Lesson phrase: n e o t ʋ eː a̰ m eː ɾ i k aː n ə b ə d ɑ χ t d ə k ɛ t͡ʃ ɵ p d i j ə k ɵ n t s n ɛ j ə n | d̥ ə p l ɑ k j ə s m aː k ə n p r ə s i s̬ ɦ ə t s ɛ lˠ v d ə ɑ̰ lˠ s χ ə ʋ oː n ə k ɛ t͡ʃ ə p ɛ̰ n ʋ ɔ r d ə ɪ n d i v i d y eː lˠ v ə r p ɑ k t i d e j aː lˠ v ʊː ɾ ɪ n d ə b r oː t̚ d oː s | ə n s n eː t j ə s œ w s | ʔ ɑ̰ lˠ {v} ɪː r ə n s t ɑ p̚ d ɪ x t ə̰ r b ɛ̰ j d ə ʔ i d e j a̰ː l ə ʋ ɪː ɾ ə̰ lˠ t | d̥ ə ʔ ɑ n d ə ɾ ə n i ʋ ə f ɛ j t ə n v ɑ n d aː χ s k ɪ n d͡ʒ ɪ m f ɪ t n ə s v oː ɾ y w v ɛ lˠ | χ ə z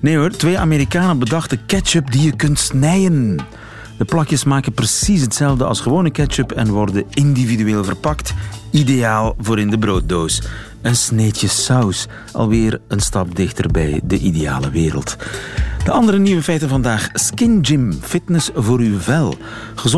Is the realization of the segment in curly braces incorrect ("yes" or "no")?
yes